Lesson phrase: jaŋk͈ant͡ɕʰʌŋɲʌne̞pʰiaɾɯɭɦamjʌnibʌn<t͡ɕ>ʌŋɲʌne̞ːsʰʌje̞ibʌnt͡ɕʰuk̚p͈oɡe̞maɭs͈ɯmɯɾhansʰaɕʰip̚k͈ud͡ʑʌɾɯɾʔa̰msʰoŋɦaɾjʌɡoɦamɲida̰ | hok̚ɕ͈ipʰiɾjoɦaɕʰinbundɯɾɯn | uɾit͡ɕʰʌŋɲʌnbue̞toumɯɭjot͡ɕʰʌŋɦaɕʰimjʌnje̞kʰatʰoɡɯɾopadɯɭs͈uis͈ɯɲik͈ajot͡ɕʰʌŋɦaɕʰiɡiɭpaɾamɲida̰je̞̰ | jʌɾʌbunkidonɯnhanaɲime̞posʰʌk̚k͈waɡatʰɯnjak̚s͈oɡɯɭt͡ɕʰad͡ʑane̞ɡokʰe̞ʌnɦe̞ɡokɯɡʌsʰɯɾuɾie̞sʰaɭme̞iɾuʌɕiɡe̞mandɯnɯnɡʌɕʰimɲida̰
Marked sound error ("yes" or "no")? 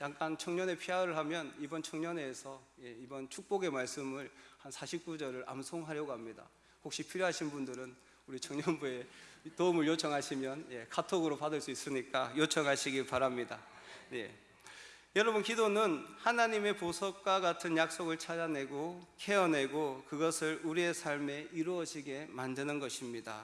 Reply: yes